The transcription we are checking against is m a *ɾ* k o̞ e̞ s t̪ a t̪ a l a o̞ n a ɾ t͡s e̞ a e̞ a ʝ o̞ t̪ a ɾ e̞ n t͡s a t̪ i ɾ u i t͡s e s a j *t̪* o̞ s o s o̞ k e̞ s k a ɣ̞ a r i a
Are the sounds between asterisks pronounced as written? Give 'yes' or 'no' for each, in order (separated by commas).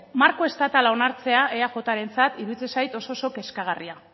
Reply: yes, yes